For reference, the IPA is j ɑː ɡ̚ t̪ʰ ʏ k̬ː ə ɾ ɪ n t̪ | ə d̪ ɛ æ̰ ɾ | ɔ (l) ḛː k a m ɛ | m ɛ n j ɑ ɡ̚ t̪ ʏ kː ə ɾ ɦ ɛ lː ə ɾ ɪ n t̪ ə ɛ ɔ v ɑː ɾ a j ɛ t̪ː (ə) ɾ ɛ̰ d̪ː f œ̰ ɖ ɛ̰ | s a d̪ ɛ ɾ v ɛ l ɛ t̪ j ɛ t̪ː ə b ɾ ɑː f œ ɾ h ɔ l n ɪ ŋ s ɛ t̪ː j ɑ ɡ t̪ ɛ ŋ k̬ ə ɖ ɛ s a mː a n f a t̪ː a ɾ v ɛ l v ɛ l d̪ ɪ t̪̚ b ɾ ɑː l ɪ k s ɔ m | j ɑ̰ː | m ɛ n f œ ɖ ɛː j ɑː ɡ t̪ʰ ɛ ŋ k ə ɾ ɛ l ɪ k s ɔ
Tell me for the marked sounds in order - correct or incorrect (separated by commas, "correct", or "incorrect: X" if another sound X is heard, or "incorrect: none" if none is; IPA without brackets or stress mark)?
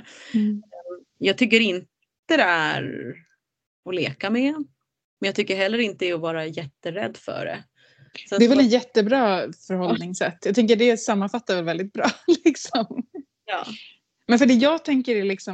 correct, correct